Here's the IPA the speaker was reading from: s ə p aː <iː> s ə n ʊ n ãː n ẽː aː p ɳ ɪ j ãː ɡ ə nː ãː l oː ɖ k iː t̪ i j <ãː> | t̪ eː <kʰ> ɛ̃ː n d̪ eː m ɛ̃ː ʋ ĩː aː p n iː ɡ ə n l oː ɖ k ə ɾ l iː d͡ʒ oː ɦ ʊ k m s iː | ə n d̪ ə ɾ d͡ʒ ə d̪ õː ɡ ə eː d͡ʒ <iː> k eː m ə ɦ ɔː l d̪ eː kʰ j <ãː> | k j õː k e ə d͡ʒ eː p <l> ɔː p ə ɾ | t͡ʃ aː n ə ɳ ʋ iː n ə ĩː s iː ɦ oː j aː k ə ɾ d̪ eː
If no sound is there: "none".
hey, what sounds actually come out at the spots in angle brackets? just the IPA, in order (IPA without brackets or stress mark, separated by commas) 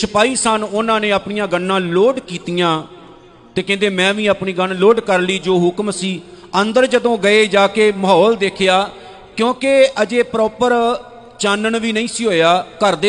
iː, ãː, k, aː, aː, ɾ